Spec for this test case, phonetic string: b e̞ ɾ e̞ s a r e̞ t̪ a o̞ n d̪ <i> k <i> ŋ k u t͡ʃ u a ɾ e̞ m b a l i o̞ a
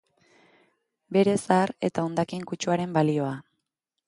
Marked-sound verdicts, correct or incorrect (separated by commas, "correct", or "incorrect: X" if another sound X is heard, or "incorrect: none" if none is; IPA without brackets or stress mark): incorrect: a, correct